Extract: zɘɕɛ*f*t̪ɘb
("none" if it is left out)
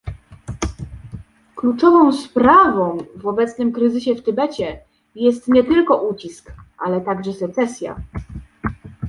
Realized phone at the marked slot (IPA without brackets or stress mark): f